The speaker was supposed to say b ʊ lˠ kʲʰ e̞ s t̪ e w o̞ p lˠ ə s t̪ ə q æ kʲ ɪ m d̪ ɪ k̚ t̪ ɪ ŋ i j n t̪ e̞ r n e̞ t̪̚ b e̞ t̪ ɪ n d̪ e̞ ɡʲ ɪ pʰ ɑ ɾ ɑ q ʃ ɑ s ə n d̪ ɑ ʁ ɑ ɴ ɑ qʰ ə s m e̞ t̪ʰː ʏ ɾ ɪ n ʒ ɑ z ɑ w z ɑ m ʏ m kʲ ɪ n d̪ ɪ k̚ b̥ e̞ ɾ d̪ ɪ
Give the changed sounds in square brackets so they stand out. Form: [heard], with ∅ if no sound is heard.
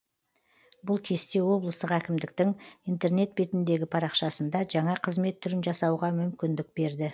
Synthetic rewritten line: b ʊ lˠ kʲʰ e̞ s t̪ e w o̞ [b] lˠ ə s t̪ ə q æ kʲ ɪ m d̪ ɪ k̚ t̪ ɪ ŋ i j n t̪ e̞ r n e̞ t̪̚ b e̞ t̪ ɪ n d̪ e̞ ɡʲ ɪ pʰ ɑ ɾ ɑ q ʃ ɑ s ə n d̪ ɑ [ʒ] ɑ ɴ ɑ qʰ ə [z] m e̞ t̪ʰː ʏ ɾ ɪ n ʒ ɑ [s] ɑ w [ʁ] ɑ m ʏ m kʲ ɪ n d̪ ɪ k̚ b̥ e̞ ɾ d̪ ɪ